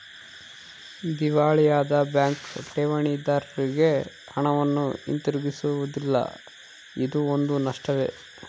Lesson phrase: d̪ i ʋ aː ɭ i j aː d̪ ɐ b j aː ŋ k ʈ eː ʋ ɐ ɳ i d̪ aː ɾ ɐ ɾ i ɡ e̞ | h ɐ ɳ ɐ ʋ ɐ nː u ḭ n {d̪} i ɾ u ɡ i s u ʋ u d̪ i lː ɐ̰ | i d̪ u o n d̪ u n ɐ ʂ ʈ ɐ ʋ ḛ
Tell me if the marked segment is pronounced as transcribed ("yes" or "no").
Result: no